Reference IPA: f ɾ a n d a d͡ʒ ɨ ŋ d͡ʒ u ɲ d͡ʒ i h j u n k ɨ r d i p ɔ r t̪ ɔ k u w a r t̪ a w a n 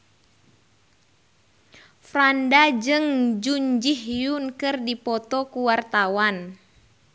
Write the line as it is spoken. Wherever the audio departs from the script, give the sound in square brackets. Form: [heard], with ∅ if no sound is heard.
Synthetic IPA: f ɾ a n d a d͡ʒ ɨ ŋ d͡ʒ u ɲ d͡ʒ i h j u n k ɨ r d i p ɔ [∅] t̪ ɔ k u w a r t̪ a w a n

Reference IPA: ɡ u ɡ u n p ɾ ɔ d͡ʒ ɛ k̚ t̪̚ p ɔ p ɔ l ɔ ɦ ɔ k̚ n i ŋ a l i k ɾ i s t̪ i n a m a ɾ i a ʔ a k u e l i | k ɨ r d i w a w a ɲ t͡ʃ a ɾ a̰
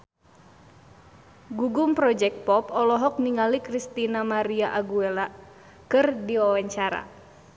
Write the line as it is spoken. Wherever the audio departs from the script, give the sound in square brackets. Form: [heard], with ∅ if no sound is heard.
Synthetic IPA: ɡ u ɡ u [m] p ɾ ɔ d͡ʒ ɛ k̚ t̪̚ p ɔ p ɔ l ɔ ɦ ɔ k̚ n i ŋ a l i k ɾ i s t̪ i n a m a ɾ i a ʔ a [ɡ] u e l [a] | k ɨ r d i w a w a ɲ t͡ʃ a ɾ a̰

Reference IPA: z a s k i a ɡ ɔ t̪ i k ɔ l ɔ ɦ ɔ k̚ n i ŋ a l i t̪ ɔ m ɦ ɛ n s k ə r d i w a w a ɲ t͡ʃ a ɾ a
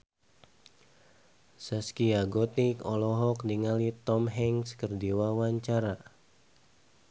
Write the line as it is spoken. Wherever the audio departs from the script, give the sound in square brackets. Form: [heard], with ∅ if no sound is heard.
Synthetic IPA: [s] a s k i a ɡ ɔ t̪ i k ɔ l ɔ ɦ ɔ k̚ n i ŋ a l i t̪ ɔ m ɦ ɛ [ŋ] s k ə r d i w a w a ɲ t͡ʃ a ɾ a

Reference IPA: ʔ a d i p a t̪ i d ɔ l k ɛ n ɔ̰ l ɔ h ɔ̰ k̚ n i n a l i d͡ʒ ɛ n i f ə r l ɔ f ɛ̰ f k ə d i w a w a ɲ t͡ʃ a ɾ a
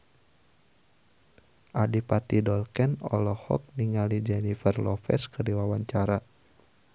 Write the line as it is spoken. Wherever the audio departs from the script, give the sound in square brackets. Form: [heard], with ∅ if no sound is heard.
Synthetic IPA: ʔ a d i p a t̪ i d ɔ l k ɛ n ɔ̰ l ɔ h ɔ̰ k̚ n i [ŋ] a l i d͡ʒ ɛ n i f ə r l ɔ f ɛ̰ [s] k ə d i w a w a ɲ t͡ʃ a ɾ a

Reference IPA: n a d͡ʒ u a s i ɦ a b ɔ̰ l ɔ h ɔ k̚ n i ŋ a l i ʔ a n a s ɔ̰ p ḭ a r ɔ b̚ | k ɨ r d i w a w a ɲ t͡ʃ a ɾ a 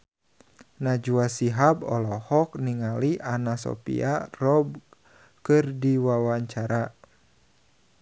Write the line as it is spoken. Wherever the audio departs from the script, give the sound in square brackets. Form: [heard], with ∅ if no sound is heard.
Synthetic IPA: n a d͡ʒ u a s i ɦ a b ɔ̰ l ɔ h ɔ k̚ n i ŋ a l i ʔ a n a s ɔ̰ p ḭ a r ɔ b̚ | k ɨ r d i w a w a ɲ t͡ʃ a ɾ a

